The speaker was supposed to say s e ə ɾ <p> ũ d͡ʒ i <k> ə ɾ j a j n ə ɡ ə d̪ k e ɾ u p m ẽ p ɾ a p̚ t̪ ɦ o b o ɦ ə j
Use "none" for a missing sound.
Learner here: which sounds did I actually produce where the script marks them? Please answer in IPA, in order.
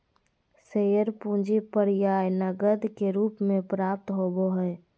p, p

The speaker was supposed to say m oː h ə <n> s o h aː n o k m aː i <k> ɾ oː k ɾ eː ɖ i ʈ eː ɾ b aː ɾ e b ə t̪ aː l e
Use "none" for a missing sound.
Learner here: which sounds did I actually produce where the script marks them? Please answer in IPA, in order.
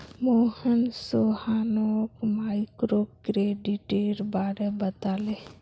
n, k

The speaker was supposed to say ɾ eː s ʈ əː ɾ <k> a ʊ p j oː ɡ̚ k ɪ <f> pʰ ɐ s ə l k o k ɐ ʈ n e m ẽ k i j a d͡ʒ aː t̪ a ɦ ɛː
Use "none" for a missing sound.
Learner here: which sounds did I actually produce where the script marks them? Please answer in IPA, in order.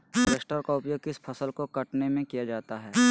k, s

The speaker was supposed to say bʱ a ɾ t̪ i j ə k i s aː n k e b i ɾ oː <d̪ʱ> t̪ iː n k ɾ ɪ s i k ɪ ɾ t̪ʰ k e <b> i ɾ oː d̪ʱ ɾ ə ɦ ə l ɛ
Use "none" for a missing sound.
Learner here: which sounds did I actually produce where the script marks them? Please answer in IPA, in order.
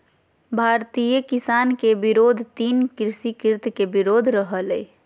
d̪ʱ, b

